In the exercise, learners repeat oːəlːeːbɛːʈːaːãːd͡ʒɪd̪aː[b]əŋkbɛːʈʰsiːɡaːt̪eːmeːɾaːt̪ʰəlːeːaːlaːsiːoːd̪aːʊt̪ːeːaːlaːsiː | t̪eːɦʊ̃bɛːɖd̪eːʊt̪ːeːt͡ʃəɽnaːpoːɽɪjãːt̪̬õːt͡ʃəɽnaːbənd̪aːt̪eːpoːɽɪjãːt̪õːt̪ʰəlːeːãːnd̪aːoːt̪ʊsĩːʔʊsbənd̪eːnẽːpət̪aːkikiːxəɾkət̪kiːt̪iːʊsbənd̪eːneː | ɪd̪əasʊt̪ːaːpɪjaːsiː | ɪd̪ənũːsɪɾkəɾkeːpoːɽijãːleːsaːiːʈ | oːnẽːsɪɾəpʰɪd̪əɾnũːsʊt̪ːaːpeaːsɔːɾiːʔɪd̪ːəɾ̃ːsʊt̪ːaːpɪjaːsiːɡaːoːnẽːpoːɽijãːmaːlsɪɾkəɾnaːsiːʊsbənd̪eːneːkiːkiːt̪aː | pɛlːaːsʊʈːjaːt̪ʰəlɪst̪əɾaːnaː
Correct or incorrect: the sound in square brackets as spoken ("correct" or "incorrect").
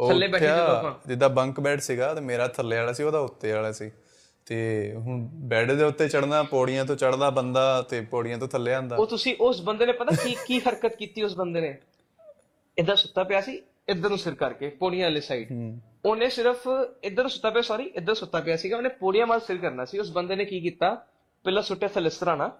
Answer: correct